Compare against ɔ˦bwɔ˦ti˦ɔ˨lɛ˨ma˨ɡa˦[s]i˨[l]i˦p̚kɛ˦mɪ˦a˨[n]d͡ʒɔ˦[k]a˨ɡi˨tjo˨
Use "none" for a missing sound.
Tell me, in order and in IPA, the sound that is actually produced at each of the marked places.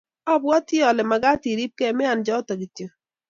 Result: t, ɾ, n, t

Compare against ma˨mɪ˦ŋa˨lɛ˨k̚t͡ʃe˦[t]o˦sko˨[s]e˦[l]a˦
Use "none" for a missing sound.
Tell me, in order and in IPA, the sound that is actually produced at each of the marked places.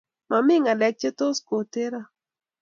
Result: t, t, ɾ

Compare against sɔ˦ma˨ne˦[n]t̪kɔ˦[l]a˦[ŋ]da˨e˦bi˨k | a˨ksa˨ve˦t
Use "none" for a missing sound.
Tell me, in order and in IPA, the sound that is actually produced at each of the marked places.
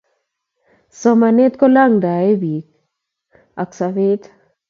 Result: none, l, ŋ

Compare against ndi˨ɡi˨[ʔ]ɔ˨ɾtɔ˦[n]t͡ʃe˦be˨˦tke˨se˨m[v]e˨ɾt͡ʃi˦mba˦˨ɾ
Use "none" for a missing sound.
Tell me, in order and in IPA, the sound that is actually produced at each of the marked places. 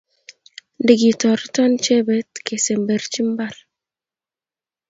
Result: t, n, b

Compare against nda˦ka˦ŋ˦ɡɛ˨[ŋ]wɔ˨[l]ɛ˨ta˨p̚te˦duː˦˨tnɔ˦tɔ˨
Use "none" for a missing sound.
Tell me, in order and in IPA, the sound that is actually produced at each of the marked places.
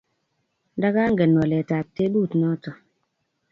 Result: n, l

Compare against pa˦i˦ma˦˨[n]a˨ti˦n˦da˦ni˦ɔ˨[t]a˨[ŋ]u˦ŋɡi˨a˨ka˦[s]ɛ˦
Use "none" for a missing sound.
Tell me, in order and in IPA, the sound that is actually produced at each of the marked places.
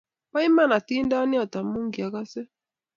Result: n, t, m, s

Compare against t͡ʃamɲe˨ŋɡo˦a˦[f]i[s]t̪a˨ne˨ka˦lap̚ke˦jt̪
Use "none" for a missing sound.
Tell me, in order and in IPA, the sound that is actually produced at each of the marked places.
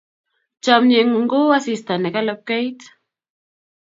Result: s, s

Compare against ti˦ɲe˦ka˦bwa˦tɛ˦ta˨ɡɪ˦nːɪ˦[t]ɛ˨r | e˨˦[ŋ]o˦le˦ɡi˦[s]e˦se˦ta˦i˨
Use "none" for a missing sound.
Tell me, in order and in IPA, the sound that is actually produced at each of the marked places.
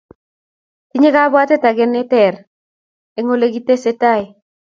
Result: t, ŋ, t

